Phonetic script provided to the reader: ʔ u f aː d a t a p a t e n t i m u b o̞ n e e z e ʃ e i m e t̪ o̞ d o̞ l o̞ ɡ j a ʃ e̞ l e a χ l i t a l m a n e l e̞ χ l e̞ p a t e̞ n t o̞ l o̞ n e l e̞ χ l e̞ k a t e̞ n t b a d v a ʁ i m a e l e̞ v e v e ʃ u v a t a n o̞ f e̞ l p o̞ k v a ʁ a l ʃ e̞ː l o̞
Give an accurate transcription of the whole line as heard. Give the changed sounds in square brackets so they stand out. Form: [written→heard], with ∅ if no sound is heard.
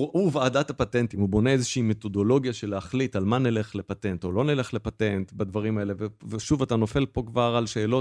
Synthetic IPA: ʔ u [f→v] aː d a t a p a t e n t i m u b o̞ n e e z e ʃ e i m e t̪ o̞ d o̞ l o̞ ɡ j a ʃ e̞ l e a χ l i t a l m a n e l e̞ χ l e̞ p a t e̞ n t o̞ l o̞ n e l e̞ χ l e̞ [k→p] a t e̞ n t b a d v a ʁ i m a e l e̞ v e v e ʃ u v a t a n o̞ f e̞ l p o̞ k v a ʁ a l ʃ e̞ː l o̞